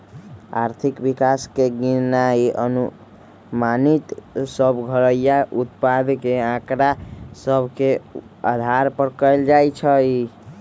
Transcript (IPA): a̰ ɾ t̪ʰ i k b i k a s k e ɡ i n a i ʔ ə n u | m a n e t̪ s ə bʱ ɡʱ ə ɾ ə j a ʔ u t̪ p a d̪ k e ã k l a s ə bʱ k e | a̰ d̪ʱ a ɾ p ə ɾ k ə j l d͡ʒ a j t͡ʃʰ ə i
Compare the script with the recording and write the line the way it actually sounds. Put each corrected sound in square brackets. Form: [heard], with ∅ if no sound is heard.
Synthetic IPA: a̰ ɾ t̪ʰ i k b i k a s k e ɡ i n a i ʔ ə n u | m a n [i] t̪ s ə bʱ ɡʱ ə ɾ ə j a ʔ u t̪ p a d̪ k e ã k [ɾ] a s ə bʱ k e | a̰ d̪ʱ a ɾ p ə ɾ k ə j l d͡ʒ a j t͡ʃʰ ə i

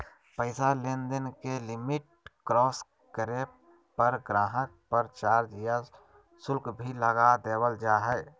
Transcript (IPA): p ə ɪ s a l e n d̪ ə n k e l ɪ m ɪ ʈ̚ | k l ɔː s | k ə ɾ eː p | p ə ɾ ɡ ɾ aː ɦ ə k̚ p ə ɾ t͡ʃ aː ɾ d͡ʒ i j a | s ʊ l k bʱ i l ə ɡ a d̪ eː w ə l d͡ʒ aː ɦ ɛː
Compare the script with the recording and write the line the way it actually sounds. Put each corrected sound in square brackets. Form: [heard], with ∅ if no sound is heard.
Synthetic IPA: p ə ɪ s a l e n d̪ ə n k e l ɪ m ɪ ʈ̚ | k [ɾ] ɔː s | k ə ɾ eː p | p ə ɾ ɡ ɾ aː ɦ ə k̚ p ə ɾ t͡ʃ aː ɾ d͡ʒ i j a | s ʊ l k bʱ i l ə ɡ a d̪ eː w ə l d͡ʒ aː ɦ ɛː

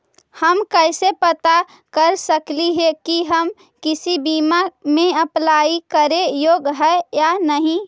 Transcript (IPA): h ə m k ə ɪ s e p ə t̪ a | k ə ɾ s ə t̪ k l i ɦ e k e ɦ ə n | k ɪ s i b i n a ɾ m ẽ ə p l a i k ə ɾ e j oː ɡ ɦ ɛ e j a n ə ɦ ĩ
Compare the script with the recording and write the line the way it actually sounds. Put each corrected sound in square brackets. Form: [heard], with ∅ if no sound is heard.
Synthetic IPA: h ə m k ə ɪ s e p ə t̪ a | k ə ɾ s ə [∅] k l i ɦ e k [i] ɦ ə [m] | k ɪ s i b i [m] a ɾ m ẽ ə p l a i k ə ɾ e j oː ɡ ɦ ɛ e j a n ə ɦ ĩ

